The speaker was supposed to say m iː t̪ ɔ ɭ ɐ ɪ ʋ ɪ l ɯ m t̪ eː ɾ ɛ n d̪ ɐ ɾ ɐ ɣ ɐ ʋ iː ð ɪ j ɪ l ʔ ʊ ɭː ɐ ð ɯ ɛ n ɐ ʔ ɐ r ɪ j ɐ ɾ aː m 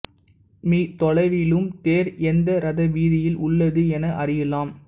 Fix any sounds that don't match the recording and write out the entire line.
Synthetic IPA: m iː t̪ ɔ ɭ ɐ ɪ ʋ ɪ l ɯ m t̪ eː ɾ ɛ n d̪ ɐ ɾ ɐ ð ɐ ʋ iː ð ɪ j ɪ l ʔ ʊ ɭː ɐ ð ɯ ɛ n ɐ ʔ ɐ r ɪ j ɐ l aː m